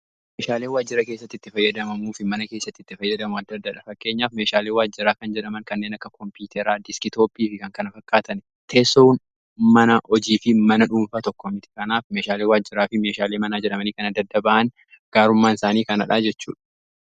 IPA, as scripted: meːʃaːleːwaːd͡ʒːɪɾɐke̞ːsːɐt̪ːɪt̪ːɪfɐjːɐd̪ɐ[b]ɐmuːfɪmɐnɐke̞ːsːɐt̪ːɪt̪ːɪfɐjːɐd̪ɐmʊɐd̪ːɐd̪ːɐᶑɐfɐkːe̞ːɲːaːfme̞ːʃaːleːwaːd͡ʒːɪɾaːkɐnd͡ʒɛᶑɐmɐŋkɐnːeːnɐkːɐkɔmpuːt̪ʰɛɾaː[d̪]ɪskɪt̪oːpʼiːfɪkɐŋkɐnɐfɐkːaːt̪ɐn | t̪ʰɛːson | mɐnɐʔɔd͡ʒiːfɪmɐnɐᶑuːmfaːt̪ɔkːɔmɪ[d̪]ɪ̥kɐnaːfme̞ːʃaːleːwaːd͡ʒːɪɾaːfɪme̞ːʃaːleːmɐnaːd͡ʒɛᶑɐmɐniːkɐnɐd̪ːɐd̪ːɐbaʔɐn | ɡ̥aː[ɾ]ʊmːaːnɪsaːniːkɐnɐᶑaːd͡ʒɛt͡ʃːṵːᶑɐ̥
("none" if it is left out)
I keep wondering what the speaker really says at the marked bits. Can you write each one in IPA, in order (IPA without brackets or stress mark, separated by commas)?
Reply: m, d̪, t̪, ɾ